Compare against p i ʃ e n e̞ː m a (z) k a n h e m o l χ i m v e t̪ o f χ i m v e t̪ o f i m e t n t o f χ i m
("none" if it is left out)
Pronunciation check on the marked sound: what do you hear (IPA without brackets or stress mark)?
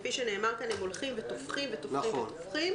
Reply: ʁ